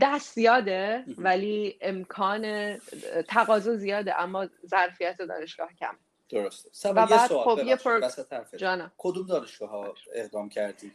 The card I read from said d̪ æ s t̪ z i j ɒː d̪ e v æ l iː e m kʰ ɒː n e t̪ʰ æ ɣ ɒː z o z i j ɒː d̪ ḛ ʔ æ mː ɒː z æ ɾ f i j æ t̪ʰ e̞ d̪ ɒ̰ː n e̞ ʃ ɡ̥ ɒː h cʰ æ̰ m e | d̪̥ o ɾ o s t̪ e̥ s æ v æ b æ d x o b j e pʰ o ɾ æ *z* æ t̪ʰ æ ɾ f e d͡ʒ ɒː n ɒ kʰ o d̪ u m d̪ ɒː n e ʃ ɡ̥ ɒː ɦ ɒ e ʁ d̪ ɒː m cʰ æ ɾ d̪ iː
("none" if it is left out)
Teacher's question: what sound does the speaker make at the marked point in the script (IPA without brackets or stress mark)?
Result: s